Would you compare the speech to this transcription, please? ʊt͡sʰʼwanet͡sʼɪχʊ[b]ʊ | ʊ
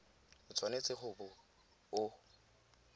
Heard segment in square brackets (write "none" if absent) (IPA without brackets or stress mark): b